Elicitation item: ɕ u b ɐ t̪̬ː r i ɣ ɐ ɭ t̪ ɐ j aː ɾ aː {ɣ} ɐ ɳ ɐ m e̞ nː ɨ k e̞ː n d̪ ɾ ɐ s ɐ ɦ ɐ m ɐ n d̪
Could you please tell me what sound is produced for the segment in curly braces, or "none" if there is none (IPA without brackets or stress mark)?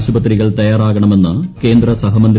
ɣ